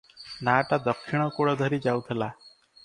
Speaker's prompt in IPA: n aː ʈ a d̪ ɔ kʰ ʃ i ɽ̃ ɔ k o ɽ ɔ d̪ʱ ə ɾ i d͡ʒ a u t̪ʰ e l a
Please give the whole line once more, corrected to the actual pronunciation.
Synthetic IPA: n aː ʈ a d̪ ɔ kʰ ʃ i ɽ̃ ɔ k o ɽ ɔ d̪ʱ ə ɾ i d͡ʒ a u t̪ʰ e l a